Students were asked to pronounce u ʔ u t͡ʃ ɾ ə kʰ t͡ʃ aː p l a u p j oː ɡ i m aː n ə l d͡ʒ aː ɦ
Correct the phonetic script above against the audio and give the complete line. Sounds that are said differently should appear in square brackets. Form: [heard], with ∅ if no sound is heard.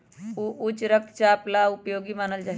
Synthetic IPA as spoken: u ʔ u t͡ʃ ɾ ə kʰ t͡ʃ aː p l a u p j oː ɡ i m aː n ə l d͡ʒ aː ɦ